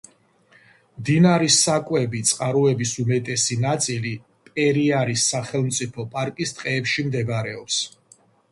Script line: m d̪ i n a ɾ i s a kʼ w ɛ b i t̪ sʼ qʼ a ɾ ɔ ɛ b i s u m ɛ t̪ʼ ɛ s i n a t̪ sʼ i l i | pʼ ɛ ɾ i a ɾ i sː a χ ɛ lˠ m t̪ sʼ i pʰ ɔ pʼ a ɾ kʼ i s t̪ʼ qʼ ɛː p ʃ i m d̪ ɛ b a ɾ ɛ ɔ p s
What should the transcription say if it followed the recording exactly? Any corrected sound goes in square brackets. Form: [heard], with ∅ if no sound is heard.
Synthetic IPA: m d̪ i n a ɾ i s a kʼ w ɛ b i t̪ sʼ qʼ a ɾ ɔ ɛ b i s u m ɛ t̪ʼ ɛ s i n a t̪ sʼ i l i | pʼ ɛ ɾ i a ɾ i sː a χ ɛ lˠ m t̪ sʼ i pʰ ɔ pʼ a ɾ kʼ i s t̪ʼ qʼ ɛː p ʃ i m d̪ ɛ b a ɾ ɛ ɔ p s